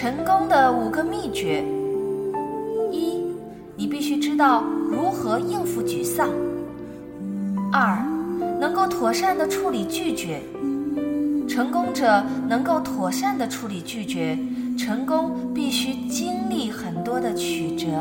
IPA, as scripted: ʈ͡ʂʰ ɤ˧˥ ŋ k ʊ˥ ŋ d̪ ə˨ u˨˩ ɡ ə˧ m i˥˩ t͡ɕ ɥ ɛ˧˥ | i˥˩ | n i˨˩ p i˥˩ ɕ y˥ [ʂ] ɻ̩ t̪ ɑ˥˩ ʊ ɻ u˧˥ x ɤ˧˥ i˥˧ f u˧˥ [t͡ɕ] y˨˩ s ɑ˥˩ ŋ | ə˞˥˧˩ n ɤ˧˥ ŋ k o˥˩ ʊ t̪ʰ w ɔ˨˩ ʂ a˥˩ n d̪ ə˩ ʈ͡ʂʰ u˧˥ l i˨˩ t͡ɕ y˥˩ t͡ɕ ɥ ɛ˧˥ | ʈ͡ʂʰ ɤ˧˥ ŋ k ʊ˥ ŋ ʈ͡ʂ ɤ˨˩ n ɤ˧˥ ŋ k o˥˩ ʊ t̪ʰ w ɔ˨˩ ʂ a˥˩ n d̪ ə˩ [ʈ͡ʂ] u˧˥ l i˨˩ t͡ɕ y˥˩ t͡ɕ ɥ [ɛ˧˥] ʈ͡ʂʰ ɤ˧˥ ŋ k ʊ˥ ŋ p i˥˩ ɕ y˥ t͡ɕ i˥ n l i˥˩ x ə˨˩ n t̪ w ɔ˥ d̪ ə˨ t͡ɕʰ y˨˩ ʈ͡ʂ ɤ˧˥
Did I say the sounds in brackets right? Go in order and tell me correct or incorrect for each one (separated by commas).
incorrect, correct, incorrect, correct